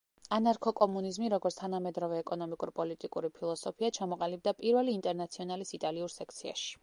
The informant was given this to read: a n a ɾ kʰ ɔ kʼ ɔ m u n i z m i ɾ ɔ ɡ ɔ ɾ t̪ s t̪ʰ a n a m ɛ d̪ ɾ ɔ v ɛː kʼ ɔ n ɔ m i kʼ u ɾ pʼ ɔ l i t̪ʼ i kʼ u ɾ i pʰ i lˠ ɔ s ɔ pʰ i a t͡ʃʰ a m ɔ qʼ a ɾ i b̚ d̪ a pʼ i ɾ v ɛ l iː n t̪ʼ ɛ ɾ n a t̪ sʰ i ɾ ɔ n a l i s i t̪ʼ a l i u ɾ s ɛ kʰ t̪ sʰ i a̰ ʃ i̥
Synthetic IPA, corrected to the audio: a n a ɾ kʰ ɔ kʼ ɔ m u n i z m i ɾ ɔ ɡ ɔ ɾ t̪ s t̪ʰ a n a m ɛ d̪ ɾ ɔ v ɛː kʼ ɔ n ɔ m i kʼ u ɾ pʼ ɔ l i t̪ʼ i kʼ u ɾ i pʰ i lˠ ɔ s ɔ pʰ i a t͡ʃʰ a m ɔ qʼ a l i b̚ d̪ a pʼ i ɾ v ɛ l iː n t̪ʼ ɛ ɾ n a t̪ sʰ i ɔ n a l i s i t̪ʼ a l i u ɾ s ɛ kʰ t̪ sʰ i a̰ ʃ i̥